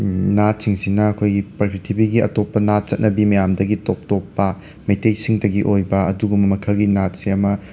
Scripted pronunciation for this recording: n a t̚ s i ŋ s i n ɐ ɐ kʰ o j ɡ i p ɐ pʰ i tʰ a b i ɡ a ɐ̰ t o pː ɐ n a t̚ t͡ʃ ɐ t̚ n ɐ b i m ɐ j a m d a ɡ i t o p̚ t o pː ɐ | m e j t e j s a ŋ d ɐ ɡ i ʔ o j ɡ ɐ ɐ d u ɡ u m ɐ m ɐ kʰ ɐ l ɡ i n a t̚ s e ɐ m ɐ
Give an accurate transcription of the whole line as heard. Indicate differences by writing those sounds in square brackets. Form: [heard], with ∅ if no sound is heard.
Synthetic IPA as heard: n a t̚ s i ŋ s i n ɐ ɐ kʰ o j ɡ i p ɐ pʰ i tʰ [i] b i ɡ [i] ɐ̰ t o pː ɐ n a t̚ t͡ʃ ɐ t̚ n ɐ b i m ɐ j a m d [ɐ] ɡ i t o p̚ t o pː ɐ | m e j t e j s [i] ŋ d ɐ ɡ i ʔ o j [b] ɐ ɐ d u ɡ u m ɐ m ɐ kʰ ɐ l ɡ i n a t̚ s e ɐ m ɐ